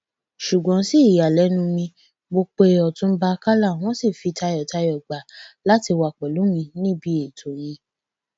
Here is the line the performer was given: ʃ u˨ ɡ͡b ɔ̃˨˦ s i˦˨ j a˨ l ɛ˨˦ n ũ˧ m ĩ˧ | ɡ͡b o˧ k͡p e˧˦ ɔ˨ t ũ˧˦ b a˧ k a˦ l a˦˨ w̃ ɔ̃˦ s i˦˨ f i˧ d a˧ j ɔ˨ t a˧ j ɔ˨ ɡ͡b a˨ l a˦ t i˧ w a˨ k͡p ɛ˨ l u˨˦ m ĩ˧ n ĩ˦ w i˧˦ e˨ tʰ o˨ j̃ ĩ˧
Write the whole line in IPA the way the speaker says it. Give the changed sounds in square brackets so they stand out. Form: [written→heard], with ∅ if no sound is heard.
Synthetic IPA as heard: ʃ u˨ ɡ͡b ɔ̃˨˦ s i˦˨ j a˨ l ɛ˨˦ n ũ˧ m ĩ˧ | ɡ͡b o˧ k͡p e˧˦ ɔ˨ t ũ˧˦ b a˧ k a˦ l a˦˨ w̃ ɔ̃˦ s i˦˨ f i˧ [d→t] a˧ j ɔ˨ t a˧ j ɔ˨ ɡ͡b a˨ l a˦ t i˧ w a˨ k͡p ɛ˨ l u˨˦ m ĩ˧ n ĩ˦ [w→b] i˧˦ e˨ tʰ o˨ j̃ ĩ˧